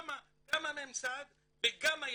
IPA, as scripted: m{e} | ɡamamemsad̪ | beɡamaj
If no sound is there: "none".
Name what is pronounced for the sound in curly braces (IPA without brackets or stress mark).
a